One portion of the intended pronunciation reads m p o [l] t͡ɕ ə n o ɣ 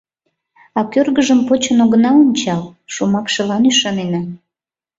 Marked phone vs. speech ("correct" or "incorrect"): incorrect